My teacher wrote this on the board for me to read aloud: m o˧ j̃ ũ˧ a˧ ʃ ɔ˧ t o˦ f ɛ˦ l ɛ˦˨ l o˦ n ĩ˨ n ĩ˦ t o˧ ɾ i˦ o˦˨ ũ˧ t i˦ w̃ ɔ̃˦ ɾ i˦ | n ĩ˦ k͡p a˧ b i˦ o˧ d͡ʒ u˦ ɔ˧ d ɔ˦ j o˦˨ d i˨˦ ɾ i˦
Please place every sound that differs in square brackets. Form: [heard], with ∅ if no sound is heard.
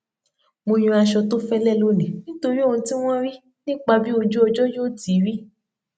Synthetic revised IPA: m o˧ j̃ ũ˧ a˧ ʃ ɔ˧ t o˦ f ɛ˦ l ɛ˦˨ l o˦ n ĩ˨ n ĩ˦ t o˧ ɾ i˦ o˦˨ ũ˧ t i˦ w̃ ɔ̃˦ ɾ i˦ | n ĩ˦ k͡p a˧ b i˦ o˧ d͡ʒ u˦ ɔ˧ [d͡ʒ] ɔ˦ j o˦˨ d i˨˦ ɾ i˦